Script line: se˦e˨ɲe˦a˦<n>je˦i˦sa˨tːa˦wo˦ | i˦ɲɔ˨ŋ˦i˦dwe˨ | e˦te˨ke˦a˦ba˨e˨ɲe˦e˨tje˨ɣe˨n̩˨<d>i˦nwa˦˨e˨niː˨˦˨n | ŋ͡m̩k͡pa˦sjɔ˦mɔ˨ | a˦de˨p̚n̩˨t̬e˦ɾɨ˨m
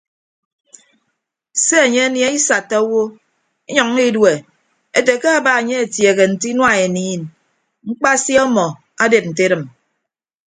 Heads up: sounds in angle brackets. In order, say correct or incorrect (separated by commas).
correct, incorrect